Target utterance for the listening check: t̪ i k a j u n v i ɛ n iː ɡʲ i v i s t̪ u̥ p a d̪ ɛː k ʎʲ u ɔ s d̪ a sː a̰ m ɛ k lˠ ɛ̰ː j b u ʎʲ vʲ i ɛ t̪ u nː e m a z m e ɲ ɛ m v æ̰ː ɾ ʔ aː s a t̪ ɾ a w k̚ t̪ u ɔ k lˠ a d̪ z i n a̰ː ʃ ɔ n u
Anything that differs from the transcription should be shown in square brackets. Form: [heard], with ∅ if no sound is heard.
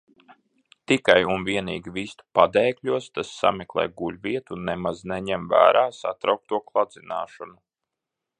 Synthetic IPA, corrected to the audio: t̪ i k a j u n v i ɛ n iː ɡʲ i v i s t̪ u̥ p a d̪ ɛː k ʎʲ u ɔ s [t̪] a sː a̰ m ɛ k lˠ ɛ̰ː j [ɡ] u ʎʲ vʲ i ɛ t̪ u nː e m a z [n] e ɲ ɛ m v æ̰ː ɾ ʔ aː s a t̪ ɾ a w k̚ t̪ u ɔ k lˠ a d̪ z i n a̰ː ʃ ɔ n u